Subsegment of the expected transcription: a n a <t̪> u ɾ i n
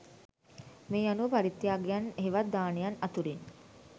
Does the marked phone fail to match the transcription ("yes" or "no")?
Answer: no